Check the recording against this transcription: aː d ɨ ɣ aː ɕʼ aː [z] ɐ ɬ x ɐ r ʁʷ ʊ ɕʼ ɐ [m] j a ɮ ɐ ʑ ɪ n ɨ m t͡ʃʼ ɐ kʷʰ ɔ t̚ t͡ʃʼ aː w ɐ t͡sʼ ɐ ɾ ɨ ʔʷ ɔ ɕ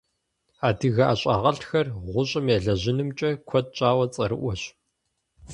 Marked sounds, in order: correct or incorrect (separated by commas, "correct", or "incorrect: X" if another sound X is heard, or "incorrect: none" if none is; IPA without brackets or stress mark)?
incorrect: ʁ, correct